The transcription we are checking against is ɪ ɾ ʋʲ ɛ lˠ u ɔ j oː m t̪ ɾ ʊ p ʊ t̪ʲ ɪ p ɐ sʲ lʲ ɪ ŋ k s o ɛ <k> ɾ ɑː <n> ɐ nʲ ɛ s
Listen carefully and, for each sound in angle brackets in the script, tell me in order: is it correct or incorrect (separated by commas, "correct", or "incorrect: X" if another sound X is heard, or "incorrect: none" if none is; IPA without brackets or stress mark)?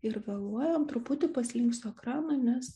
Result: correct, correct